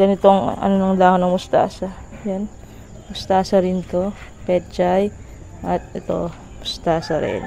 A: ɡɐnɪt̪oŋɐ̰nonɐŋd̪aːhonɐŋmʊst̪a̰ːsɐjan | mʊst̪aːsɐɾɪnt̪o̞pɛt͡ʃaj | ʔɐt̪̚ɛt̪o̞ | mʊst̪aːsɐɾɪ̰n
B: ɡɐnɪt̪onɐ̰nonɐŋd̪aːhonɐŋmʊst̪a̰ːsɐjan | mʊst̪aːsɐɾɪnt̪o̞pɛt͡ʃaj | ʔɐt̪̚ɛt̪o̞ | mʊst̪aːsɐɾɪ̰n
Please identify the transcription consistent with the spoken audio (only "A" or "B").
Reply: A